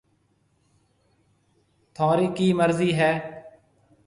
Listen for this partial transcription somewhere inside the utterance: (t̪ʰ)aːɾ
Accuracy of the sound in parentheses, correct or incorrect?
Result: correct